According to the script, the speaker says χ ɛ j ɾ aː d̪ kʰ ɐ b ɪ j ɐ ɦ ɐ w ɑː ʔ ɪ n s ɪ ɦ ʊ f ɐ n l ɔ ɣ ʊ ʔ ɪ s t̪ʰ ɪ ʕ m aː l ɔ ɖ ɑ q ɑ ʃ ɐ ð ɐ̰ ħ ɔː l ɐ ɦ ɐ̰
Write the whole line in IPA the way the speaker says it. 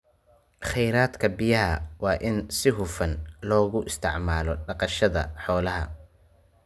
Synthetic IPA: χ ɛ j ɾ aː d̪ kʰ ɐ b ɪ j ɐ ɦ ɐ w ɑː ʔ ɪ n s ɪ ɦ ʊ f ɐ n l ɔː ɣ ʊ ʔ ɪ s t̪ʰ ɪ ʕ m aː l ɔ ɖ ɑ q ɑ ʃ ɐ ð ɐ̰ ħ ɔː l ɐ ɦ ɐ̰